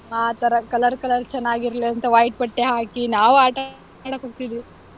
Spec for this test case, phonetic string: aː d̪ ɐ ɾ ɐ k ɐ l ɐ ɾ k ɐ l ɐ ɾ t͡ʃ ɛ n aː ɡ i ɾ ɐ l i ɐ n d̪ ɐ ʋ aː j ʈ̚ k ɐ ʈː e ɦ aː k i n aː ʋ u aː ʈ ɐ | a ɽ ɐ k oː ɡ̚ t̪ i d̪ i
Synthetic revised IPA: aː t̪ ɐ ɾ ɐ k ɐ l ɐ ɾ k ɐ l ɐ ɾ t͡ʃ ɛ nː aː ɡ i ɾ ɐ l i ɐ n t̪ ɐ ʋ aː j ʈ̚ p ɐ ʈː e ɦ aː k i n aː ʋ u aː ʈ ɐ | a ɽ ɐ k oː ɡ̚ t̪ i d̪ i